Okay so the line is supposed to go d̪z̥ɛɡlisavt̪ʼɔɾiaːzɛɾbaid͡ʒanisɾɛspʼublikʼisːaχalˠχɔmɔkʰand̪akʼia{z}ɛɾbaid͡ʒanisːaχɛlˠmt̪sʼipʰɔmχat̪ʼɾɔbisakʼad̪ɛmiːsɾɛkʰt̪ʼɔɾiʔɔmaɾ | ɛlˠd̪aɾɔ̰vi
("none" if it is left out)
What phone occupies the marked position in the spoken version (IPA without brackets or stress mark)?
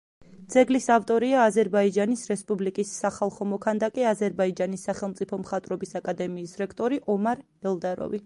z